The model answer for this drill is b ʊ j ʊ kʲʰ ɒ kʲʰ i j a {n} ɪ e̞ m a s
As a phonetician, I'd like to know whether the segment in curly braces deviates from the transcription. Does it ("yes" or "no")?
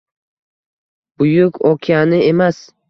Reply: no